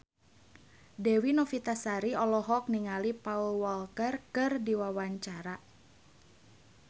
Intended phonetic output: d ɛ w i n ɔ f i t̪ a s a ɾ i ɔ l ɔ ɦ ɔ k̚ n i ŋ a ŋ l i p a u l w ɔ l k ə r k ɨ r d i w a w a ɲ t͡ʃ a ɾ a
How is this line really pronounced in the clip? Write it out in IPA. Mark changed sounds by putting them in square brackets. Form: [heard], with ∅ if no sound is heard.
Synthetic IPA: d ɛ w i n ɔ f i t̪ a s a ɾ i ɔ l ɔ ɦ ɔ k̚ n i ŋ a [∅] l i p a u l w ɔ l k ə r k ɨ r d i w a w a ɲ t͡ʃ a ɾ a